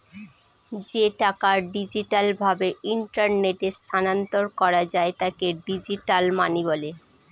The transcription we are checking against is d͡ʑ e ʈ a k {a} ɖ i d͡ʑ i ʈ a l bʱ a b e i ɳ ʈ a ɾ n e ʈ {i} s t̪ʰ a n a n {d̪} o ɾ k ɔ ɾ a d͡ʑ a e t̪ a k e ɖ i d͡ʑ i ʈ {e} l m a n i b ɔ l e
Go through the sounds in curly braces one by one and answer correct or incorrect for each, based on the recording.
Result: correct, incorrect, incorrect, incorrect

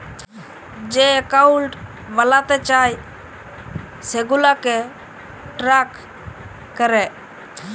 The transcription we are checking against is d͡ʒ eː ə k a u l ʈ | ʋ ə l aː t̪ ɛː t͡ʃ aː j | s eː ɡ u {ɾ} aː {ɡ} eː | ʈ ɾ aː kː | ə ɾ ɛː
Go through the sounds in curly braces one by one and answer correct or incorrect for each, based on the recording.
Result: incorrect, incorrect

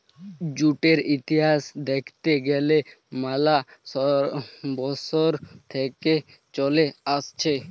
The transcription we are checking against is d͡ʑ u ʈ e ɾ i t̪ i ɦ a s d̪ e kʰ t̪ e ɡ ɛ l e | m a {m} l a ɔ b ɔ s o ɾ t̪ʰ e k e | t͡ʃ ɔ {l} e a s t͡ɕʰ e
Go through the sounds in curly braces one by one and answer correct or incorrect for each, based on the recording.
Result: incorrect, correct

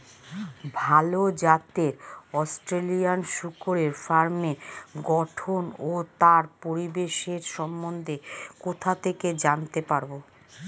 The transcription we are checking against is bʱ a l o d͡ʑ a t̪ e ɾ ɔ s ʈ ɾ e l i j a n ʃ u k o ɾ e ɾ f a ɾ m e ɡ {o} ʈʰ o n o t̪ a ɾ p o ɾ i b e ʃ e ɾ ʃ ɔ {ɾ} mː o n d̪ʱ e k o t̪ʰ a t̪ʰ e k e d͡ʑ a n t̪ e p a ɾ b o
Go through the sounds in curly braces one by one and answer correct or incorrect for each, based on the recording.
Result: incorrect, incorrect

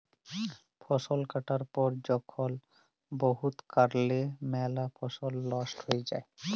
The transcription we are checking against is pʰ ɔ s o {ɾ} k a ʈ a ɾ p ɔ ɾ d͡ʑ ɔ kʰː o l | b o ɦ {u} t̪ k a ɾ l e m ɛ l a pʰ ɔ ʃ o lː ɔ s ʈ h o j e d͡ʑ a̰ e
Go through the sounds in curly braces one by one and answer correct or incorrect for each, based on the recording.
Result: incorrect, correct

